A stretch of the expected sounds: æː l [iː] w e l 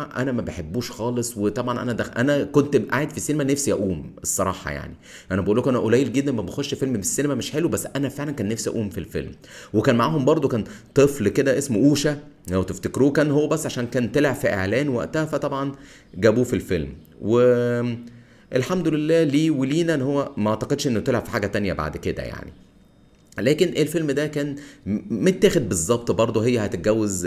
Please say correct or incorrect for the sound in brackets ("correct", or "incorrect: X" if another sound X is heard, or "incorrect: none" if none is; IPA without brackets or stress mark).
correct